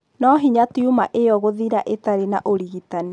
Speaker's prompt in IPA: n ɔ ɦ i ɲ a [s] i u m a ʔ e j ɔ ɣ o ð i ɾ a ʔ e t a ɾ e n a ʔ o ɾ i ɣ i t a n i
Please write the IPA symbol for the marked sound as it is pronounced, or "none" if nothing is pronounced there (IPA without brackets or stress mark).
t